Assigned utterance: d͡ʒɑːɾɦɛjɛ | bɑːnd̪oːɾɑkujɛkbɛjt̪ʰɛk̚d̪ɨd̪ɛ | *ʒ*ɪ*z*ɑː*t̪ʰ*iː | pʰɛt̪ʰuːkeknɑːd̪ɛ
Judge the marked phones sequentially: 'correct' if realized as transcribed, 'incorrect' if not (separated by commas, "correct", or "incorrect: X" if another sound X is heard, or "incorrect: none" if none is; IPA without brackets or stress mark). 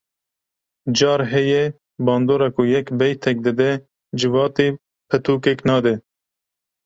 incorrect: d͡ʒ, incorrect: v, incorrect: t̪